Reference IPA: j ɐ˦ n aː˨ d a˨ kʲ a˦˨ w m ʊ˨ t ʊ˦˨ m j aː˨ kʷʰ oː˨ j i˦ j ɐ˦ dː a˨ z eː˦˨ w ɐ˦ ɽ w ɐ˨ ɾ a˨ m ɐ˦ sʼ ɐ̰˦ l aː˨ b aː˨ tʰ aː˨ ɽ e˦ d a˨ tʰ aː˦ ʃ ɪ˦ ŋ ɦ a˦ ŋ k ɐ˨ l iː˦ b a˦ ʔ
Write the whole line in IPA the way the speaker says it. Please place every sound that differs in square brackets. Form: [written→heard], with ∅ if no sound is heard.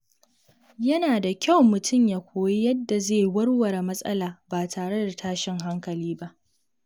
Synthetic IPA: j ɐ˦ n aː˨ d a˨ kʲ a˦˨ w m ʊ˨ t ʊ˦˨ m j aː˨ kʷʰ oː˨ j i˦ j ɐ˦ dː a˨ z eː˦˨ w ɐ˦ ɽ w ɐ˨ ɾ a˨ m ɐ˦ sʼ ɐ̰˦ l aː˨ b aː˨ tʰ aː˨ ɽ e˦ d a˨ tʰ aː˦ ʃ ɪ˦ ŋ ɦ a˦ ŋ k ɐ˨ l iː˦ b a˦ ʔ